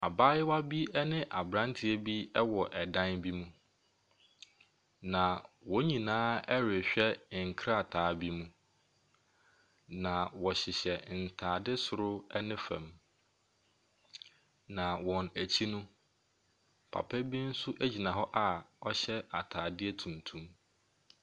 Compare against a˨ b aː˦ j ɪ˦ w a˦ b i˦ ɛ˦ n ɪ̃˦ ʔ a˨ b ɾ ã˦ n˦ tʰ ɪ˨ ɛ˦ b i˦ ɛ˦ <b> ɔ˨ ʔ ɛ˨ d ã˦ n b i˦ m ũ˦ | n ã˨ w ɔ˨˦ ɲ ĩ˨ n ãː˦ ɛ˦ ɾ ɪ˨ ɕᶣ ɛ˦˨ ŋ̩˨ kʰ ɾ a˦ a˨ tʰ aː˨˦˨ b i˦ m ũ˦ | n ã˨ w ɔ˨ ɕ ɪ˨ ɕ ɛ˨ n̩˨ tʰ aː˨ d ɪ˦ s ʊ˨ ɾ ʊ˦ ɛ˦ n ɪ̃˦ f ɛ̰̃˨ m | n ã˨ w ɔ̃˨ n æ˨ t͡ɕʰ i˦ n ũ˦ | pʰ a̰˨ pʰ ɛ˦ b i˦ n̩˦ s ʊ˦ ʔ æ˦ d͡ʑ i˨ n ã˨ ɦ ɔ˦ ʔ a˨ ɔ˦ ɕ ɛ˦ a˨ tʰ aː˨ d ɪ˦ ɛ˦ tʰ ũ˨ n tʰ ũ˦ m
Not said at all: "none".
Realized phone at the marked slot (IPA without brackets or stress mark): w